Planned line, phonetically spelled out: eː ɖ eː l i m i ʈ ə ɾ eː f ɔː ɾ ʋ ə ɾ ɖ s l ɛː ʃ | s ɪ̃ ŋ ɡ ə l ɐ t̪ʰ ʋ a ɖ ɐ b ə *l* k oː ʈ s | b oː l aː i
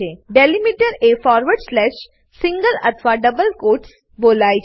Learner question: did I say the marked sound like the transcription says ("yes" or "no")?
yes